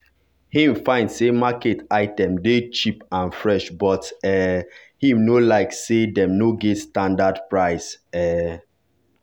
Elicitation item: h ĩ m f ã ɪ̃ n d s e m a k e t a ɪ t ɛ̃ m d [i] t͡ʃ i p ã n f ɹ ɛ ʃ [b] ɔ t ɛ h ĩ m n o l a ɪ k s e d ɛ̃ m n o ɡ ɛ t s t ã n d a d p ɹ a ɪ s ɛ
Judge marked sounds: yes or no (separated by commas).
no, yes